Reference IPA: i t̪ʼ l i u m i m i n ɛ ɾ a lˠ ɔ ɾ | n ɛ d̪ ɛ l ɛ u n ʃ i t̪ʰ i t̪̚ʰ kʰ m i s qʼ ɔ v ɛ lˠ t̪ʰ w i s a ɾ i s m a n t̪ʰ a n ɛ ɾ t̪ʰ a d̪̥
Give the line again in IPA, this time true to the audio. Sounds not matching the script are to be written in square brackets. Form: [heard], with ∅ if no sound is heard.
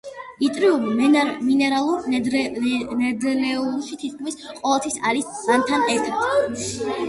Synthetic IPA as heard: i t̪ʼ [ɾ] i u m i m i n ɛ ɾ a lˠ [u] ɾ | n ɛ d̪ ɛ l ɛ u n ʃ i t̪ʰ i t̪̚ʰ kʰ m i s qʼ ɔ v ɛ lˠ t̪ʰ w i s a ɾ i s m a n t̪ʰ a n ɛ ɾ t̪ʰ a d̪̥